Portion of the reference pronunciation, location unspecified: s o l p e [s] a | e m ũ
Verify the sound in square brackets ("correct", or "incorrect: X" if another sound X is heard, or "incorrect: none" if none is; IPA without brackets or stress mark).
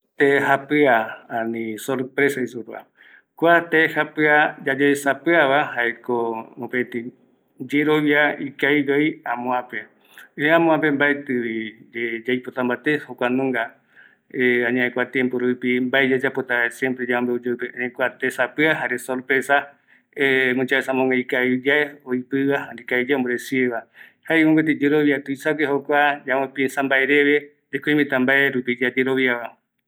correct